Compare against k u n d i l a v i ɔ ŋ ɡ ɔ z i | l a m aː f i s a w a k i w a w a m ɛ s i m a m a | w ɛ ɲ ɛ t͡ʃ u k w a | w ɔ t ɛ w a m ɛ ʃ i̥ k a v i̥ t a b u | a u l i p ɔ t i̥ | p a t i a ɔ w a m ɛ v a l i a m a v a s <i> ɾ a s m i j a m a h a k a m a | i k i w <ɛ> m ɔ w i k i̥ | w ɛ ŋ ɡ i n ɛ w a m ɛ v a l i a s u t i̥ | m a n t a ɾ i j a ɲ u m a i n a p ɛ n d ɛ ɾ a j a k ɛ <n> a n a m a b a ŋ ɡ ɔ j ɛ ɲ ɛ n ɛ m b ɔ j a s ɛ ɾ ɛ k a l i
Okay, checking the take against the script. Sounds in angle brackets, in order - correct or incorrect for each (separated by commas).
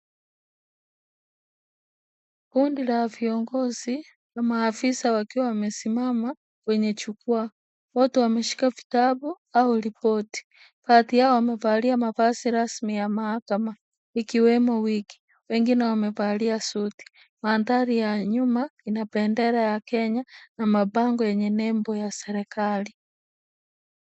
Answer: correct, correct, incorrect